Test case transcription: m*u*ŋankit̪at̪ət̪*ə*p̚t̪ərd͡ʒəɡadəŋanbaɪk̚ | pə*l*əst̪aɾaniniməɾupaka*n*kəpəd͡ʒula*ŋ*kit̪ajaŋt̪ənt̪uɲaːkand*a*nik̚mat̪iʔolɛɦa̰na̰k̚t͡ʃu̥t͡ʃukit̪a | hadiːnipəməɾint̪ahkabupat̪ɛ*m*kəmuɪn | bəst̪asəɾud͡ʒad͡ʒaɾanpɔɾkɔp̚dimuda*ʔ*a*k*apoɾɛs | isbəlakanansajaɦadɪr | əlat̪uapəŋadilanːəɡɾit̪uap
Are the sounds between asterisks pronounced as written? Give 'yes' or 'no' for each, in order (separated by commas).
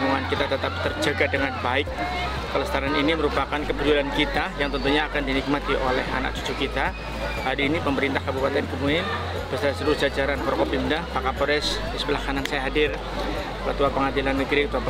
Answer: yes, no, yes, yes, no, no, no, no, yes